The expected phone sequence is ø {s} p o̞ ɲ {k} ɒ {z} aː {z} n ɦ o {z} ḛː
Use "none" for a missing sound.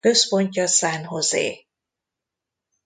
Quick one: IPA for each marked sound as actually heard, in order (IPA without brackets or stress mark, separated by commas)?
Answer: s, c, s, none, z